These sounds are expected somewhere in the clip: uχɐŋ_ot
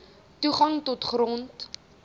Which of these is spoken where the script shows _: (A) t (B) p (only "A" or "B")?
A